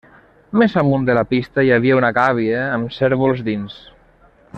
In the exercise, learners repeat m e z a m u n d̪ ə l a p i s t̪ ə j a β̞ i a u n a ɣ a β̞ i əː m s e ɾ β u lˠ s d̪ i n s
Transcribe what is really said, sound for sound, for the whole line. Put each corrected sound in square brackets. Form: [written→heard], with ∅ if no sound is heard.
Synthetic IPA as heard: m e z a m u n d̪ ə l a p i s t̪ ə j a β̞ i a u n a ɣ a β̞ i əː m s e ɾ β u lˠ [s→z] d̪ i n s